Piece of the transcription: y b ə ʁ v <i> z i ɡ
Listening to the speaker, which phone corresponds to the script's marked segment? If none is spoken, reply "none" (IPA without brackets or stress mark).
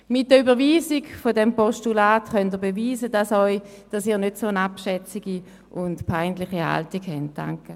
iː